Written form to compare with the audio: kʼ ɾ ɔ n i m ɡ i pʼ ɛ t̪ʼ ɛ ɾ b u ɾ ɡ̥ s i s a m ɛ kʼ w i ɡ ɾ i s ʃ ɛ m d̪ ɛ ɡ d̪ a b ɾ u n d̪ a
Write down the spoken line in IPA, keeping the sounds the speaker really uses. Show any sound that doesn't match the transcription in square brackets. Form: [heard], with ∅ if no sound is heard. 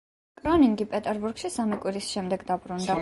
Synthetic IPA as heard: kʼ ɾ ɔ n i [ŋ] ɡ i pʼ ɛ t̪ʼ ɛ ɾ b u ɾ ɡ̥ [ʃ] i s a m [i] kʼ w i [∅] ɾ i s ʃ ɛ m d̪ ɛ ɡ d̪ a b ɾ u n d̪ a